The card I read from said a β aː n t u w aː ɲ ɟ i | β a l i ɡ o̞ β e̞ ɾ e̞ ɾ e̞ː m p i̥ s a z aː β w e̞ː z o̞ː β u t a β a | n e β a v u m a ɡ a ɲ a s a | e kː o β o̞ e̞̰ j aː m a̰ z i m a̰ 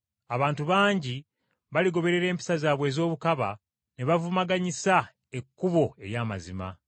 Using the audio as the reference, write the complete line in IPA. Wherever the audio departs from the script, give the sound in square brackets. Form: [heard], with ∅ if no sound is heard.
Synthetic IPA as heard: a β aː n t u [β] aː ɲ ɟ i | β a l i ɡ o̞ β e̞ ɾ e̞ ɾ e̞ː m p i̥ s a z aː β w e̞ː z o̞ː β u [k] a β a | n e β a v u m a ɡ a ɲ [i] s a | e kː [u] β o̞ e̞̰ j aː m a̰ z i m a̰